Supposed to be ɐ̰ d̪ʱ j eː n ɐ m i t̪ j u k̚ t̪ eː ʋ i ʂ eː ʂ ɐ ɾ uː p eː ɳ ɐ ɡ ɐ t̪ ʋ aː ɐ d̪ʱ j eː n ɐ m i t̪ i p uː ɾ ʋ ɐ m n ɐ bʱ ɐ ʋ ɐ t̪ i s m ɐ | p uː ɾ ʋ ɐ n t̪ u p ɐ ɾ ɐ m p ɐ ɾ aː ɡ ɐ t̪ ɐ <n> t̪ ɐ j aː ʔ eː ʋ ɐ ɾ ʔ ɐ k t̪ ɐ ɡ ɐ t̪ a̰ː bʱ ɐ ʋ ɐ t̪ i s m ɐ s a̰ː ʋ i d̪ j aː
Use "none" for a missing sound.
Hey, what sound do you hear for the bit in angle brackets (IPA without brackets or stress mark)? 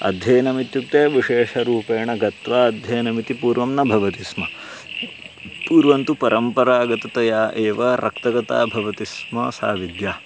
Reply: none